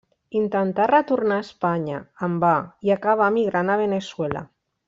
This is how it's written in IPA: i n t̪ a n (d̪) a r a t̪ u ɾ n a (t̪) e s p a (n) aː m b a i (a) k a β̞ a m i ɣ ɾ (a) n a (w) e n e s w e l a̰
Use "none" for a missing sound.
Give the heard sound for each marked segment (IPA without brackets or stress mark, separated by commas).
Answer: t̪, none, ɲ, a, a, β